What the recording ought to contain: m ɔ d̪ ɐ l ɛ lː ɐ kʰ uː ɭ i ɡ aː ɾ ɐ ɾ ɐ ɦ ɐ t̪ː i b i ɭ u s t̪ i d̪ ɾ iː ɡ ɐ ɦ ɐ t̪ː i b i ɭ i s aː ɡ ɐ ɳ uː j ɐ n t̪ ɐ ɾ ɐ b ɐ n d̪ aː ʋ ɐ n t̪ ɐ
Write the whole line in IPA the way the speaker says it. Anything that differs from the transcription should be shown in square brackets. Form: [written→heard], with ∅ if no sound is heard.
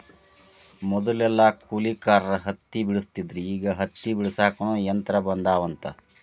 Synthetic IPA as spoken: m ɔ d̪ ɐ l ɛ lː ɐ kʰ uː [ɭ→l] i [ɡ→k] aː ɾ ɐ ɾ ɐ ɦ ɐ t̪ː i b i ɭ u s t̪ i d̪ ɾ iː ɡ ɐ ɦ ɐ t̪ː i b i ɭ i s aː [ɡ→k] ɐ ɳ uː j ɐ n t̪ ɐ ɾ ɐ b ɐ n d̪ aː ʋ ɐ n t̪ ɐ

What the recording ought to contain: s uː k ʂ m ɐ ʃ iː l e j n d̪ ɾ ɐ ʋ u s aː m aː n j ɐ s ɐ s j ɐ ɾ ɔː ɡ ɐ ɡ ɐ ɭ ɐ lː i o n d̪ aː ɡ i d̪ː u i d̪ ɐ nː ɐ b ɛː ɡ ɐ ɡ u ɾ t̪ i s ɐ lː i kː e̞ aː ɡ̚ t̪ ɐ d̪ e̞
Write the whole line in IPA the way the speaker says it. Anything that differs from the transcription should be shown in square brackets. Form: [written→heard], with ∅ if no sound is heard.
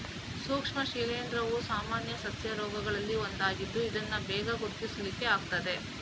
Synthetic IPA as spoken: s uː k ʂ m ɐ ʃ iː l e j n d̪ ɾ ɐ ʋ u s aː m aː n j ɐ s ɐ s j ɐ ɾ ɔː ɡ ɐ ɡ ɐ ɭ ɐ lː i o n d̪ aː ɡ i d̪ː u i d̪ ɐ nː ɐ b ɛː ɡ ɐ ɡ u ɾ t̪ i s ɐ [lː→l] i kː e̞ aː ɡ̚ t̪ ɐ d̪ e̞

